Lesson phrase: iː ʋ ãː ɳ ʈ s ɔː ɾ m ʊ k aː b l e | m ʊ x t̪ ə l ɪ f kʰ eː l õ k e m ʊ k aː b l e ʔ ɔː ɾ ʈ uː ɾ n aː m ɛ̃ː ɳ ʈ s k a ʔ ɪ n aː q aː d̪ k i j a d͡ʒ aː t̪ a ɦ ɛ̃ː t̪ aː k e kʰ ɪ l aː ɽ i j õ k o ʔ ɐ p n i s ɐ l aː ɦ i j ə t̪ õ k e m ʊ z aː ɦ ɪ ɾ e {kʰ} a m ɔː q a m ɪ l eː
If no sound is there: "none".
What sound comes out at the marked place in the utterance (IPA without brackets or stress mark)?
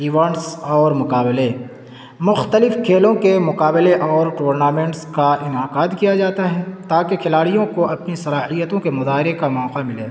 k